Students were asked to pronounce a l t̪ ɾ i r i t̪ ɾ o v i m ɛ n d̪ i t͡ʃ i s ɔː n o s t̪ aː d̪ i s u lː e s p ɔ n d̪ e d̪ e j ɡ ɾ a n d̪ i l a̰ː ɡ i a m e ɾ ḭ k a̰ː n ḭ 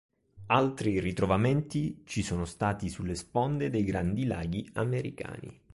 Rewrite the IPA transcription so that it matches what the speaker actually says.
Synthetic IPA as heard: a l t̪ ɾ i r i t̪ ɾ o v a m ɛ n t̪ i t͡ʃ i s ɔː n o s t̪ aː t̪ i s u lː e s p ɔ n d̪ e d̪ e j ɡ ɾ a n d̪ i l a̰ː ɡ i a m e ɾ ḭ k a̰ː n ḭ